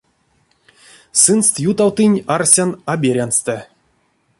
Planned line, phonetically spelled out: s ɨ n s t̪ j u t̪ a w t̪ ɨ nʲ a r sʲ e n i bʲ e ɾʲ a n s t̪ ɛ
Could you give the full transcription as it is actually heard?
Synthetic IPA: s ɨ n s t̪ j u t̪ a w t̪ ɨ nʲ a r sʲ a n a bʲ e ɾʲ a n s t̪ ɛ